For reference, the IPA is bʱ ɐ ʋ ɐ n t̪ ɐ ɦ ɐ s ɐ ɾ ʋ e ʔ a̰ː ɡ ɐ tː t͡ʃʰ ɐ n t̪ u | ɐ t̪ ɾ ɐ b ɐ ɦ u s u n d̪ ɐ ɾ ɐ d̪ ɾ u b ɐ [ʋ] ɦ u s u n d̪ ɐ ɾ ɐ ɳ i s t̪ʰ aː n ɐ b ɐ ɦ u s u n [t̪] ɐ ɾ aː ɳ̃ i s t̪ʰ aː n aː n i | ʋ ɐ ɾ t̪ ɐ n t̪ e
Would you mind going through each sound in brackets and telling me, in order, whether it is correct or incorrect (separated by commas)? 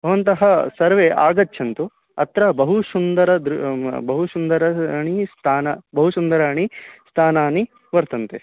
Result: incorrect, incorrect